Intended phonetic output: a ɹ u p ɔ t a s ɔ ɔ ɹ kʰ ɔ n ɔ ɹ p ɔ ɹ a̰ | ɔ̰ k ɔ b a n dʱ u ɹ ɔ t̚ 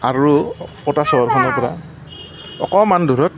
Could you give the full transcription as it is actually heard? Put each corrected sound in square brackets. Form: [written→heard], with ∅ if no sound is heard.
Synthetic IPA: a ɹ u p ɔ t a s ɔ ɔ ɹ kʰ ɔ n ɔ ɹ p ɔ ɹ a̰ | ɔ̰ k ɔ [b→m] a n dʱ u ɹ ɔ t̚